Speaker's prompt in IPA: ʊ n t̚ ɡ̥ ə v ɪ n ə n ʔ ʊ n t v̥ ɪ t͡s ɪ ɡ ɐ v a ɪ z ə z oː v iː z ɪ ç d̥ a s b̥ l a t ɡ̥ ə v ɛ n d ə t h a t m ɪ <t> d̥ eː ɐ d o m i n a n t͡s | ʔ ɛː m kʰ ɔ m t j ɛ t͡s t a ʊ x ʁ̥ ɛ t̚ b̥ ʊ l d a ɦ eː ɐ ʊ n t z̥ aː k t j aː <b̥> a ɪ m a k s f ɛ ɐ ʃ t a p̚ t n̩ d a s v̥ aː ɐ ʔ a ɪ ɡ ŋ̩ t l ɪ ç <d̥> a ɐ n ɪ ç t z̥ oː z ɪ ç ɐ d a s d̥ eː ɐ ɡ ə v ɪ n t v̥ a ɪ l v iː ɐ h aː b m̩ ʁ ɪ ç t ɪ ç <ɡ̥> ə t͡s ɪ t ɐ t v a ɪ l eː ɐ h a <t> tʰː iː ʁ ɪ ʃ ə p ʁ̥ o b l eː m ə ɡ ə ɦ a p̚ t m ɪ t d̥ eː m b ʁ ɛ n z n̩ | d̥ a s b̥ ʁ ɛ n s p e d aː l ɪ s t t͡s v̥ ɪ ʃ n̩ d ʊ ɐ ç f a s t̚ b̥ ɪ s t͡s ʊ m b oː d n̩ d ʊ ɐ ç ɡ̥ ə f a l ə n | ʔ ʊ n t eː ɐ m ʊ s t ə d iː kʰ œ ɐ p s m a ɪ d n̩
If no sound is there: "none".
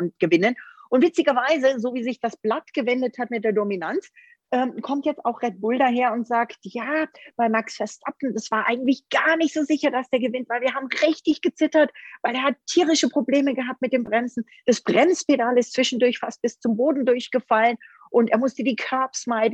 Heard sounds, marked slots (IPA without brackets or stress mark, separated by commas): t, b̥, ɡ̥, ɡ̥, t